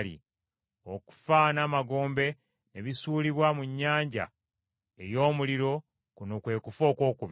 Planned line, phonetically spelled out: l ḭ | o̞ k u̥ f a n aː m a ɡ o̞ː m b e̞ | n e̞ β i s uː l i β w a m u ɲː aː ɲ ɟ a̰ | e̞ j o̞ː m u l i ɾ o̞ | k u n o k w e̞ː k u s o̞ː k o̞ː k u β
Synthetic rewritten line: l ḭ | o̞ k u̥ f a n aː m a ɡ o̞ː m b e̞ | n e̞ β i s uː l i β w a m u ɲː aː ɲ ɟ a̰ | e̞ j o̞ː m u l i ɾ o̞ | k u n o k w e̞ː k u f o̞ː k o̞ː k u β